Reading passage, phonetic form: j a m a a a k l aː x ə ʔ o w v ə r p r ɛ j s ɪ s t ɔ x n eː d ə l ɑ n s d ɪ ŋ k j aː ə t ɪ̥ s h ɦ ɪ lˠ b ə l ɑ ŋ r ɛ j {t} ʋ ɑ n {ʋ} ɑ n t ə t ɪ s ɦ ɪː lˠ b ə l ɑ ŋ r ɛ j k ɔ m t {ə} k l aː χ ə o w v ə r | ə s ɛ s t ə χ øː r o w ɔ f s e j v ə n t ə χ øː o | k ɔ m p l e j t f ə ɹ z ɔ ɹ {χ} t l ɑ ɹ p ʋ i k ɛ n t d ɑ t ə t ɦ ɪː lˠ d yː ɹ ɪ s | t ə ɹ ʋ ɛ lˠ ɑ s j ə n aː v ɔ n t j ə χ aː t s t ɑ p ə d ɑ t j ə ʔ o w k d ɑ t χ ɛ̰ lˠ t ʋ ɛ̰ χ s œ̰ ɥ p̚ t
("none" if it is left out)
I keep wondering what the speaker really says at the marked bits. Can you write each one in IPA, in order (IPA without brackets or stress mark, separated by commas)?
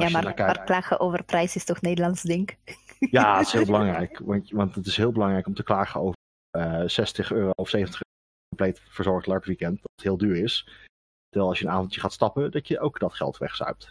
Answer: k, ʋ, ə, χ